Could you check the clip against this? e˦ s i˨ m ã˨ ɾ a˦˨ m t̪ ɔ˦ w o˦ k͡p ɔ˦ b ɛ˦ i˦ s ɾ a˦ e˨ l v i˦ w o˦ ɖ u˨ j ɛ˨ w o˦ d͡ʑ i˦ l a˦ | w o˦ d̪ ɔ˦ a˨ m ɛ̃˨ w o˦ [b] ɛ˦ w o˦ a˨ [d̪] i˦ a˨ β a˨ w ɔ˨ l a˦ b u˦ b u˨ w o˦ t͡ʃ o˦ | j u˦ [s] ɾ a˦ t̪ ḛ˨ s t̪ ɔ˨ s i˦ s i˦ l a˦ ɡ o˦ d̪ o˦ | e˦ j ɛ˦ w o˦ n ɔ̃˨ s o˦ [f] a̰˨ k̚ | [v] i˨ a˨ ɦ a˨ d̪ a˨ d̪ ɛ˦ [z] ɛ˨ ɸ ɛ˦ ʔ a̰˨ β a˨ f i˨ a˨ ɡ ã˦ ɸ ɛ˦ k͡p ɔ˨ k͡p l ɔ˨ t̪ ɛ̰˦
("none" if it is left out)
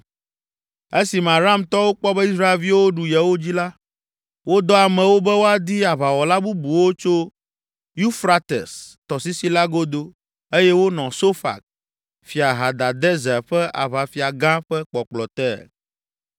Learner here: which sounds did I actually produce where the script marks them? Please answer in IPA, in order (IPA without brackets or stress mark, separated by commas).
b, d̪, f, f, f, z